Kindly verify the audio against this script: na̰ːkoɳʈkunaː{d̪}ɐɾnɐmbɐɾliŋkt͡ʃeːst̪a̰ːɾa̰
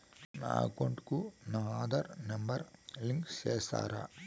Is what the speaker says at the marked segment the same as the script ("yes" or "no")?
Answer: yes